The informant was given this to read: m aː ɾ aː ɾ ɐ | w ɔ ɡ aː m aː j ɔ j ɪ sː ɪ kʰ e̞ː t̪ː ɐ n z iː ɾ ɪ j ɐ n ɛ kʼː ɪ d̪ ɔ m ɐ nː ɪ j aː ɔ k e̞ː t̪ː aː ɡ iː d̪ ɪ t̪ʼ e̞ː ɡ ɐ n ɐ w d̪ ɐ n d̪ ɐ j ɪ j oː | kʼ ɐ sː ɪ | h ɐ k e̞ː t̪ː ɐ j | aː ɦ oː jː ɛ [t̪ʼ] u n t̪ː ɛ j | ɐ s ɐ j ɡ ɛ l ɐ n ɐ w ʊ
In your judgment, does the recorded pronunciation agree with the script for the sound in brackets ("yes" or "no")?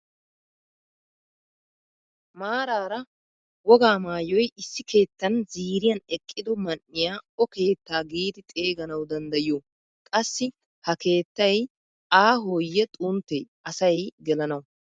yes